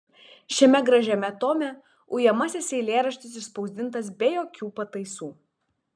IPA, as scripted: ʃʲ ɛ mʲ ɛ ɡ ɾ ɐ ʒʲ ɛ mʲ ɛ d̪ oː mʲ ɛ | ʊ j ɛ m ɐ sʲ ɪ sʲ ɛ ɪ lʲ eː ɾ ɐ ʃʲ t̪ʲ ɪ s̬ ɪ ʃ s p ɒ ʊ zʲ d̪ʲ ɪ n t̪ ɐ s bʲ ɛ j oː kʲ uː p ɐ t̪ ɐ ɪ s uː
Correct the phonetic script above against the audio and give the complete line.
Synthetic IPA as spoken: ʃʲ ɛ mʲ ɛ ɡ ɾ ɐ ʒʲ ɛ mʲ ɛ t̪ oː mʲ ɛ | ʊ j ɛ m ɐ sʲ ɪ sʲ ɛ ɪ lʲ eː ɾ ɐ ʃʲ t̪ʲ ɪ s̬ ɪ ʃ s p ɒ ʊ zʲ d̪ʲ ɪ n t̪ ɐ s bʲ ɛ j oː kʲ uː p ɐ t̪ ɐ ɪ s uː